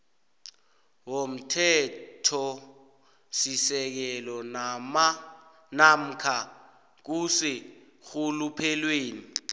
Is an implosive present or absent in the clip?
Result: absent